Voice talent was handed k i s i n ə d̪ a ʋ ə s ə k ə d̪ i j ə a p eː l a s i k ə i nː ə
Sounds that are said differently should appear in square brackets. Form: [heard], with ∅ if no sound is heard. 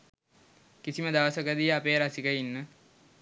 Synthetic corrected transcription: k i s i [m] ə d̪ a ʋ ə s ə k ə d̪ i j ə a p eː [ɾ] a s i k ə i nː ə